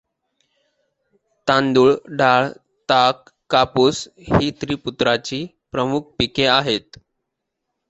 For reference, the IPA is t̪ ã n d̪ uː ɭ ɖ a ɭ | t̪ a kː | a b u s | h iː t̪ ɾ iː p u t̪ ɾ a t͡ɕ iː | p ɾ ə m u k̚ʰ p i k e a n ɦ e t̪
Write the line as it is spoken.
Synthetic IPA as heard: t̪ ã n d̪ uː ɭ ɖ a ɭ | t̪ a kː | a p u s | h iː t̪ ɾ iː p u t̪ ɾ a t͡ɕ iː | p ɾ ə m u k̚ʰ p i k e a ɦ e t̪